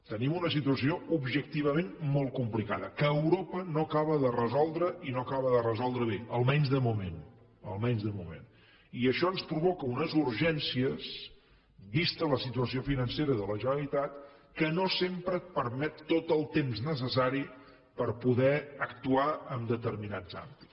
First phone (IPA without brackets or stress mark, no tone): t̪